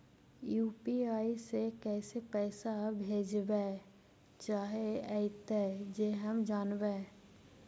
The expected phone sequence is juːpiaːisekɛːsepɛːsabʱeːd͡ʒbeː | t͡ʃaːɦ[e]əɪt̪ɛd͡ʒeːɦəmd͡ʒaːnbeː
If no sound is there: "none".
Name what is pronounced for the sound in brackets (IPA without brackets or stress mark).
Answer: e